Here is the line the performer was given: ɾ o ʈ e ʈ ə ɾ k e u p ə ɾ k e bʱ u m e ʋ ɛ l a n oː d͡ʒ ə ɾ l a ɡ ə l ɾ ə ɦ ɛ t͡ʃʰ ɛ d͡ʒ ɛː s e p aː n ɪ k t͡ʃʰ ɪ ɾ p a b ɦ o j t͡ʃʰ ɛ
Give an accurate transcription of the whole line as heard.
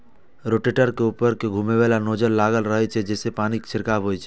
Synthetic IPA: ɾ o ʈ e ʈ ə ɾ k e u p ə ɾ k e ɡʱ u m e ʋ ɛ l a n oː d͡ʒ ə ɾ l a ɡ ə l ɾ ə ɦ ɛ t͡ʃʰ ɛ d͡ʒ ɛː s e p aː n i k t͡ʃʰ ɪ ɾ k a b ɦ o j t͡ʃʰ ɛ